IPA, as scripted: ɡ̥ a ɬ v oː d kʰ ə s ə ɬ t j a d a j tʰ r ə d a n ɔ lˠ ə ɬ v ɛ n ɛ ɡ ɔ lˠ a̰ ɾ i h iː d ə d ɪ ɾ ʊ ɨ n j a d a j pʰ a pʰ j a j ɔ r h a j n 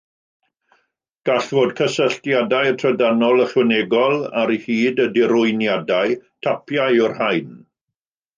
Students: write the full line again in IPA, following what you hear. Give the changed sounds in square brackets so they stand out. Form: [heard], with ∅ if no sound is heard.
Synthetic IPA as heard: ɡ̥ a ɬ v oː d kʰ ə s ə ɬ t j a d a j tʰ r ə d a n ɔ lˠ ə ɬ [w] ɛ n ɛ ɡ ɔ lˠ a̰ ɾ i h iː d ə d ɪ ɾ ʊ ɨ n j a d a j [tʰ] a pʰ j a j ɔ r h a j n